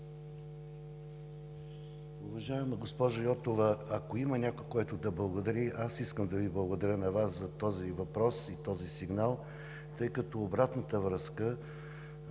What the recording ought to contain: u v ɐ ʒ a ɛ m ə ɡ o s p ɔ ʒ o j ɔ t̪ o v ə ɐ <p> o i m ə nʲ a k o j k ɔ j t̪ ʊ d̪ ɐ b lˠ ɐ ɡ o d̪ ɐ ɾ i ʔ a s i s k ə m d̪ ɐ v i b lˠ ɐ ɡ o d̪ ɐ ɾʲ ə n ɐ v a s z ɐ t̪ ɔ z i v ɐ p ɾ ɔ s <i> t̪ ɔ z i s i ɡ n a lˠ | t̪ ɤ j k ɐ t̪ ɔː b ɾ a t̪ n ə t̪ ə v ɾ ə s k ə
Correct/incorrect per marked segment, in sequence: incorrect: k, correct

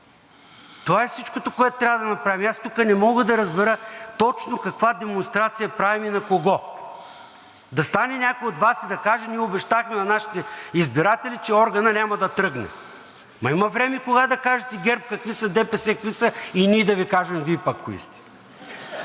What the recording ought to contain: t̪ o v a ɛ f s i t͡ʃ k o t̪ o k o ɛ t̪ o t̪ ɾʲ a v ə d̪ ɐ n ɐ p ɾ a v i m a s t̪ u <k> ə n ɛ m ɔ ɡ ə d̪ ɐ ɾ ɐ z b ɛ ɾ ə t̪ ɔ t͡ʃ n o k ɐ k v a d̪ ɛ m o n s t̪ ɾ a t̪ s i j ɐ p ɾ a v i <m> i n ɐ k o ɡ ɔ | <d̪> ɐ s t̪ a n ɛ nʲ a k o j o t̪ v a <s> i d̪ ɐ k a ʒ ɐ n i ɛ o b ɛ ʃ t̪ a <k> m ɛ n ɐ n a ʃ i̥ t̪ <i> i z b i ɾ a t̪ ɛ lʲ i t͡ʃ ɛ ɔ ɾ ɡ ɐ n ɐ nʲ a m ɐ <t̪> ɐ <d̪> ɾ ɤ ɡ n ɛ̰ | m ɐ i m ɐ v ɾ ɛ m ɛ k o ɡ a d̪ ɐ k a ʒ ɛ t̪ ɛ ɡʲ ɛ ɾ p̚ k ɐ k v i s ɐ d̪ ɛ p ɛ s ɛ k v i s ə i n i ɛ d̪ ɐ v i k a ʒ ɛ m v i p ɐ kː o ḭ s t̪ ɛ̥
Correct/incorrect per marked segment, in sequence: correct, correct, correct, correct, incorrect: x, incorrect: ɛ, incorrect: d̪, incorrect: t̪

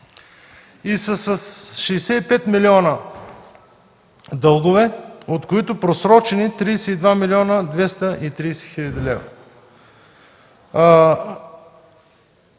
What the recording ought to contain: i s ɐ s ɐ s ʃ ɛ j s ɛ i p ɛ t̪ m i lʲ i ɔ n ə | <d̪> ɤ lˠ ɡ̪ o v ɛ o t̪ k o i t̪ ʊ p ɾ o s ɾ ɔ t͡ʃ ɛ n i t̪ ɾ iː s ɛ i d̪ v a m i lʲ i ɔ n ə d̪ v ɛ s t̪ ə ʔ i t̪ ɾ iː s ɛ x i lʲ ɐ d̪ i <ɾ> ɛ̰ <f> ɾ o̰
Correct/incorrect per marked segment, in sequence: correct, incorrect: l, incorrect: v

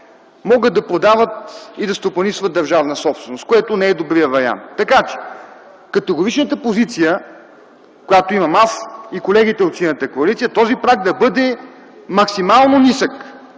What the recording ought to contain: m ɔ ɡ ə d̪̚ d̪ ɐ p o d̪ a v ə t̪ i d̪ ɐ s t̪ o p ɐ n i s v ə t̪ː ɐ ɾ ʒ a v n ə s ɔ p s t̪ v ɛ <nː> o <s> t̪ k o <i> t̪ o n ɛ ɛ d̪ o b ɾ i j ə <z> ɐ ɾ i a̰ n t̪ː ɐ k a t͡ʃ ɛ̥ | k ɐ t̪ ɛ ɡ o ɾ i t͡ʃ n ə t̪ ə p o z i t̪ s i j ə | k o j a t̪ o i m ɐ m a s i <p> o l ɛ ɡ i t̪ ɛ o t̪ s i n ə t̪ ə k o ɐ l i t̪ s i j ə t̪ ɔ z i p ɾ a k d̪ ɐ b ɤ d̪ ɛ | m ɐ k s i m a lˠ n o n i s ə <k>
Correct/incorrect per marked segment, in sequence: incorrect: n, correct, incorrect: ɛ, incorrect: v, incorrect: k, correct

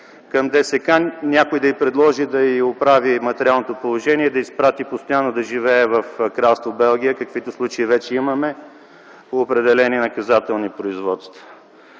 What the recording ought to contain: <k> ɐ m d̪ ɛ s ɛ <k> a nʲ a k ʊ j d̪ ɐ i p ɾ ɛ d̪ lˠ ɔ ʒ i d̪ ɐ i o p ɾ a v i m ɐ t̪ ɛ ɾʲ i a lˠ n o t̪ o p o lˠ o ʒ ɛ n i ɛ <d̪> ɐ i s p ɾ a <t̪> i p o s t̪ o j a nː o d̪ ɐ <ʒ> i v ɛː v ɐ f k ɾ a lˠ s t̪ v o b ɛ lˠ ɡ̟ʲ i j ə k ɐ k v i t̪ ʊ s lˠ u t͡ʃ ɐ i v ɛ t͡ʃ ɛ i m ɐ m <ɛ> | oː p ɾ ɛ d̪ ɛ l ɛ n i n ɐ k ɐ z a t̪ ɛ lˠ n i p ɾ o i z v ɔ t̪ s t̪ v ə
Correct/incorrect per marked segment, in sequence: correct, correct, correct, correct, correct, correct

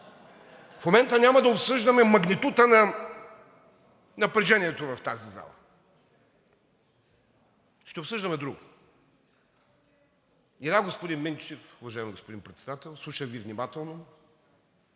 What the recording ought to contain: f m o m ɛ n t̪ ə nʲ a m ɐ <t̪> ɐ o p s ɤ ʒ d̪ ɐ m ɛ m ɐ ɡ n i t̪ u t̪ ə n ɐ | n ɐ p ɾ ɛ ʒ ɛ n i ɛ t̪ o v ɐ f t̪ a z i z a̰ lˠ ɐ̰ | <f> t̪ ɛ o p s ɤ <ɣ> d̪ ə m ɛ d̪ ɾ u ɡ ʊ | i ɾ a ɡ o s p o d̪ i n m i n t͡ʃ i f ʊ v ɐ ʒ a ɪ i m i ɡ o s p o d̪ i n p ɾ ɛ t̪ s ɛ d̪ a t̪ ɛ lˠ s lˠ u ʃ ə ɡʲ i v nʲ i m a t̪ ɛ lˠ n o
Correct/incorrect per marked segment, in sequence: incorrect: d̪, incorrect: ʃ, incorrect: ʒ

